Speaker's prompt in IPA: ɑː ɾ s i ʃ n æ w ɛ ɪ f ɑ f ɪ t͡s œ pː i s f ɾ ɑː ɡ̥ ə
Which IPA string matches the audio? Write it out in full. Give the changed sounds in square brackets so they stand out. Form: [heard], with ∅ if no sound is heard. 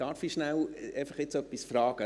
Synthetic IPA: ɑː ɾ [f] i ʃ n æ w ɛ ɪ f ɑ [χ] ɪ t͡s œ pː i s f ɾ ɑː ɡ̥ ə